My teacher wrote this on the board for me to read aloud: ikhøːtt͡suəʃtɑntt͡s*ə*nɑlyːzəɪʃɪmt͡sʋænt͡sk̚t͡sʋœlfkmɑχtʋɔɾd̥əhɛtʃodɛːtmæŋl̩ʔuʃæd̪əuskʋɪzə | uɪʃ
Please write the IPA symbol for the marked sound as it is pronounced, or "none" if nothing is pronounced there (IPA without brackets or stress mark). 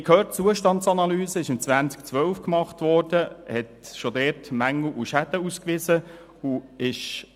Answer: ɑ